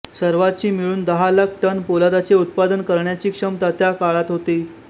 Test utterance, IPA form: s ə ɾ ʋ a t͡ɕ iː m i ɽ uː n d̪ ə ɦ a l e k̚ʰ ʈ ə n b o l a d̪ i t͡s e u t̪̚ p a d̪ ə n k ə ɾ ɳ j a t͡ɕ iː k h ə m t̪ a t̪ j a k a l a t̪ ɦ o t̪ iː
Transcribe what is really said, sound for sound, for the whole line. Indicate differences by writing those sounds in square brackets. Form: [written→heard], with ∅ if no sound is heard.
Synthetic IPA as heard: s ə ɾ ʋ a t͡ɕ iː m i [ɽ→ɭ] uː n d̪ ə ɦ a l [e→a] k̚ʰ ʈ ə n [b→p] o l a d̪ [i→a] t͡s e u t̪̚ p a d̪ ə n k ə ɾ ɳ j a t͡ɕ iː k [h→ʂ] ə m t̪ a t̪ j a k a [l→ɭ] a t̪ ɦ o t̪ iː

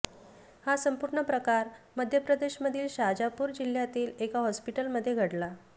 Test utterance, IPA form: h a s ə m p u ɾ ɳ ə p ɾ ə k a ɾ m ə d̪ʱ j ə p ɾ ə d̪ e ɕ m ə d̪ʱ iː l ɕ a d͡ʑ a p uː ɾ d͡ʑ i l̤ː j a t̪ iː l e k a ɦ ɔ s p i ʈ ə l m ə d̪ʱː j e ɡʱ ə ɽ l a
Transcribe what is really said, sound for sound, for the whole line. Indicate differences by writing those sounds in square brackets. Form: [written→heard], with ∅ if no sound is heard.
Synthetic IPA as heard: h a s ə m p u ɾ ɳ ə p ɾ ə k a ɾ m ə d̪ʱ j ə p ɾ ə d̪ e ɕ m ə d̪ʱ iː l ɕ a d͡ʑ a p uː ɾ d͡ʑ i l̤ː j a t̪ iː l e k a ɦ ɔ s p i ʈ ə l m ə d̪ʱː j e ɡʱ ə ɽ l a

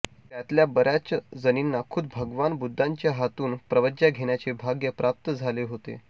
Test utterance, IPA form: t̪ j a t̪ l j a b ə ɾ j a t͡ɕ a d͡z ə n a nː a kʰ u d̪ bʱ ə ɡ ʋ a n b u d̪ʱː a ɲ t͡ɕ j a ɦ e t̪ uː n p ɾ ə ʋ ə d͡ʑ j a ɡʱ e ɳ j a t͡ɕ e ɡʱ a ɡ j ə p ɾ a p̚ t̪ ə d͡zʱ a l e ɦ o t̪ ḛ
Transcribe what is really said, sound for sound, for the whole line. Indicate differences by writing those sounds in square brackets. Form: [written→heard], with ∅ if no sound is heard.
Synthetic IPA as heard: t̪ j a t̪ l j a b ə ɾ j a t͡ɕ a d͡z ə n [a→i] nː a kʰ u d̪ bʱ ə ɡ ʋ a n b u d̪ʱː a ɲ t͡ɕ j a ɦ [e→a] t̪ uː n p ɾ ə ʋ ə d͡ʑ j a ɡʱ e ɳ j a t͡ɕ e [ɡʱ→bʱ] a ɡ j ə p ɾ a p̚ t̪ ə d͡zʱ a l e ɦ o t̪ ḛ

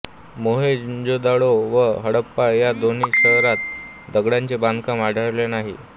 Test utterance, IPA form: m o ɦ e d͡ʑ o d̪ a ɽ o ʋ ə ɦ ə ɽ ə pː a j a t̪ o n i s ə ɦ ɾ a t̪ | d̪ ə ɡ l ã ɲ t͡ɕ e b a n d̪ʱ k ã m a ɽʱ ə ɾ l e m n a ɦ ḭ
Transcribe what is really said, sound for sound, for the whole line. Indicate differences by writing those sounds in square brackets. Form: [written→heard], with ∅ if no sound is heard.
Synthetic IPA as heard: m o ɦ e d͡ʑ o d̪ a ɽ o ʋ ə ɦ ə ɽ ə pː a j a [t̪→d̪] o n i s ə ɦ ɾ a t̪ | d̪ ə ɡ [l→ɽ] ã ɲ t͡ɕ e b a n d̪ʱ k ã m a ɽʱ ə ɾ l e [m→∅] n a ɦ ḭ

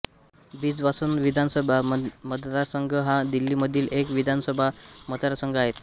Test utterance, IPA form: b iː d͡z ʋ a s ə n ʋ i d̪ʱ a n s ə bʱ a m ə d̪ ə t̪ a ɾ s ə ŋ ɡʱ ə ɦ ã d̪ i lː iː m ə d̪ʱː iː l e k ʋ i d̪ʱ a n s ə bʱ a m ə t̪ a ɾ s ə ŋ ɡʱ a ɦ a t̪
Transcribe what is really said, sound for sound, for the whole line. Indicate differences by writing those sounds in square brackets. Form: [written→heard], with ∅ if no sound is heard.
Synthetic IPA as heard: b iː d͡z ʋ a s ə n ʋ i d̪ʱ a n s ə bʱ a m ə d̪ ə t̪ a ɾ s ə ŋ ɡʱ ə ɦ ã d̪ i lː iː m ə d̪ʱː iː l e k ʋ i d̪ʱ a n s ə bʱ a m ə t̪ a ɾ s ə ŋ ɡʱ a ɦ [a→e] t̪

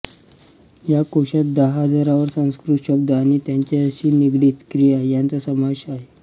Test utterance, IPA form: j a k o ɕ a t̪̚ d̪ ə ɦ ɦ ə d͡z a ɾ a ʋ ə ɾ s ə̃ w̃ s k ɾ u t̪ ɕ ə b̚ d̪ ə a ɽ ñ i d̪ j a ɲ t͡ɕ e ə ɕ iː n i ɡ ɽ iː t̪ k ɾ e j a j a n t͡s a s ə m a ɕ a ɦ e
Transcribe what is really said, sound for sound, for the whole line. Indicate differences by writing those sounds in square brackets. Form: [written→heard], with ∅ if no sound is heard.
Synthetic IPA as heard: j a k o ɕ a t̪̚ d̪ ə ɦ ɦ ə d͡z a ɾ a ʋ ə ɾ s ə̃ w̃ s k ɾ u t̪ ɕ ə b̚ d̪ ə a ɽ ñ i [d̪→t̪] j a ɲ t͡ɕ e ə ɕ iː n i ɡ ɽ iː t̪ k ɾ [e→i] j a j a n t͡s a s ə m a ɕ a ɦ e

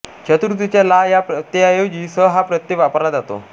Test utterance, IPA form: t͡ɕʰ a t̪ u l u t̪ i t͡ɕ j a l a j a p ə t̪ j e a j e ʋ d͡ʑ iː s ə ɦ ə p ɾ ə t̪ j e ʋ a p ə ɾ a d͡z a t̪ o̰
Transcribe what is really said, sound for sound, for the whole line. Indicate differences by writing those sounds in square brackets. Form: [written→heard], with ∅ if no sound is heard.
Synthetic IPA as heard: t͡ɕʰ [a→ə] t̪ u [l→ɾ] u t̪ i t͡ɕ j a l a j a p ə t̪ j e a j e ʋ d͡ʑ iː s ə ɦ [ə→a] p ɾ ə t̪ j e ʋ a p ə ɾ a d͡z a t̪ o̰

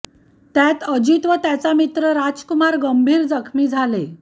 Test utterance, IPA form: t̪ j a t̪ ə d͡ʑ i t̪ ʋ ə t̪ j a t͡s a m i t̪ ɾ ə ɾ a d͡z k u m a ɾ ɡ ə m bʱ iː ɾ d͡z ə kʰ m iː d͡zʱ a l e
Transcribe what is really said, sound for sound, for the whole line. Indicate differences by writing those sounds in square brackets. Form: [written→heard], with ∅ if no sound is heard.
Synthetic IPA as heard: t̪ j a t̪ ə d͡ʑ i t̪ ʋ ə t̪ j a t͡s a m i t̪ ɾ ə ɾ a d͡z k u m a ɾ ɡ ə m bʱ iː ɾ d͡z ə kʰ m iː d͡zʱ a l e

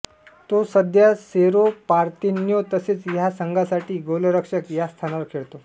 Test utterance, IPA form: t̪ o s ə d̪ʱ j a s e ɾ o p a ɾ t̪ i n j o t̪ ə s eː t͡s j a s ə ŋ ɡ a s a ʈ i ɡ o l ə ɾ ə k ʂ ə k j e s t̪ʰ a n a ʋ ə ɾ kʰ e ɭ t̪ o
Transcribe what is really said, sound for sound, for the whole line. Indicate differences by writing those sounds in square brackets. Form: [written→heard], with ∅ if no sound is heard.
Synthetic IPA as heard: t̪ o s ə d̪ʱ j a s e ɾ o p a ɾ t̪ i n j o t̪ ə s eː t͡s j a s ə ŋ ɡ a s a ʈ [i→iː] ɡ o l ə ɾ ə k ʂ ə k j [e→a] s t̪ʰ a n a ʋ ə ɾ kʰ e ɭ t̪ o

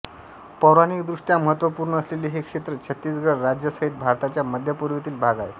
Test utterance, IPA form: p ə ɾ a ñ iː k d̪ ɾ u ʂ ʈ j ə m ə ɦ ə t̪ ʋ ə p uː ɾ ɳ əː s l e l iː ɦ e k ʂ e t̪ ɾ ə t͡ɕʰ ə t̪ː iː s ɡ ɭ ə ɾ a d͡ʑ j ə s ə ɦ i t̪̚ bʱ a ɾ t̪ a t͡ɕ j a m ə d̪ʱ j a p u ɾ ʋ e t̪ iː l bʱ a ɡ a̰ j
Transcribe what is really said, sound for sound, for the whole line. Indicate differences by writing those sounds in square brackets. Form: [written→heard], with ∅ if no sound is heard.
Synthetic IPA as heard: p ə ɾ a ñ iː k d̪ ɾ u ʂ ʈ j [ə→a] m ə ɦ ə t̪ ʋ ə p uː ɾ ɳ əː s l e l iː ɦ e k ʂ e t̪ ɾ ə t͡ɕʰ ə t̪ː iː s ɡ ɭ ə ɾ a d͡ʑ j ə s ə ɦ i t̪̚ bʱ a ɾ t̪ a t͡ɕ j a m ə d̪ʱ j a p u ɾ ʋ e t̪ iː l bʱ a ɡ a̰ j

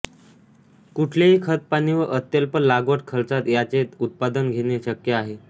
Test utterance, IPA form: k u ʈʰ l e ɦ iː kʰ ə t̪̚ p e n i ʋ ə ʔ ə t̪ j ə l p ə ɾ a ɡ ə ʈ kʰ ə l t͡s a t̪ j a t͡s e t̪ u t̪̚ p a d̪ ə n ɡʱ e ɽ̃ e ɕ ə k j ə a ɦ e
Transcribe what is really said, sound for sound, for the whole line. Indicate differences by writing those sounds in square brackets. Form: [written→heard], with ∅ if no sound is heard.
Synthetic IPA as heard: k u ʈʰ l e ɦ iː kʰ ə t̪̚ p [e→a] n i ʋ ə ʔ ə t̪ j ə l p ə [ɾ→l] a ɡ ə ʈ kʰ ə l t͡s a t̪ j a t͡s e t̪ u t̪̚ p a d̪ ə n ɡʱ e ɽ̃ e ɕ ə k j ə a ɦ e

